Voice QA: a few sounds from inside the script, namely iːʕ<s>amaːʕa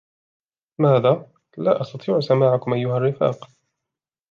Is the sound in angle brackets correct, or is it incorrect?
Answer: correct